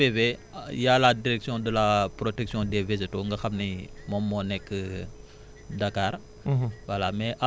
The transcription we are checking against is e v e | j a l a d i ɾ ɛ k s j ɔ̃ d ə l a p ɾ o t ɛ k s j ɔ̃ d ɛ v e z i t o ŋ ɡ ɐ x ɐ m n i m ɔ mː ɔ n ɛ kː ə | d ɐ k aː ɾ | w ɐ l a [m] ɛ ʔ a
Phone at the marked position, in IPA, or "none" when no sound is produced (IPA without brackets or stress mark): m